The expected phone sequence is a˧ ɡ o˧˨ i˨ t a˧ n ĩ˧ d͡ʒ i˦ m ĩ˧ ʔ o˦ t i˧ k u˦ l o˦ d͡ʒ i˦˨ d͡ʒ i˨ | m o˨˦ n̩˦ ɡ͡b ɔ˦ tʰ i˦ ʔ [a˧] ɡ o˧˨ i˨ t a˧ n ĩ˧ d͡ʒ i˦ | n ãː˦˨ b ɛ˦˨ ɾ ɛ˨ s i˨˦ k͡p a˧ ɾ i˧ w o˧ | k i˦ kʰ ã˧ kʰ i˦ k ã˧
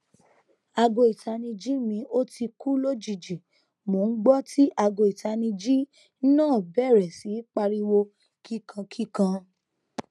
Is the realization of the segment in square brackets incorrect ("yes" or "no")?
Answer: no